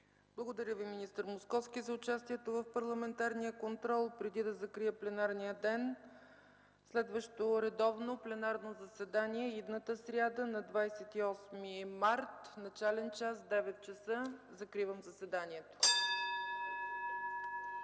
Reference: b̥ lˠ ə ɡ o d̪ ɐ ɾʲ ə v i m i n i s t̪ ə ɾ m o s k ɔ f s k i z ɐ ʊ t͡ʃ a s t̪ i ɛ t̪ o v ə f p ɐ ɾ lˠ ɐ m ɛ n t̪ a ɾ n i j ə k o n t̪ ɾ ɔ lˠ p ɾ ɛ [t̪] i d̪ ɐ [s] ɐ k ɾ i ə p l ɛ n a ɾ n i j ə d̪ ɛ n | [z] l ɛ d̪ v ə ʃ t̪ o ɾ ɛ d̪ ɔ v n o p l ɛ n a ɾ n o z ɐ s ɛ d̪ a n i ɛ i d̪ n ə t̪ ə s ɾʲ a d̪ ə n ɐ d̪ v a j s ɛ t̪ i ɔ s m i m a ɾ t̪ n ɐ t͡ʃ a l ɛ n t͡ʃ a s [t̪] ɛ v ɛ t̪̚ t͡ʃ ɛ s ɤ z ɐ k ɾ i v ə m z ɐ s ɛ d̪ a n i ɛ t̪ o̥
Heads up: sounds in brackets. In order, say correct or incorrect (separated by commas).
incorrect, incorrect, incorrect, incorrect